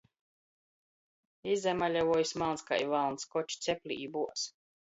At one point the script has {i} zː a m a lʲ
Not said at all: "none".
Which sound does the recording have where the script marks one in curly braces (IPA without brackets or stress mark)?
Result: i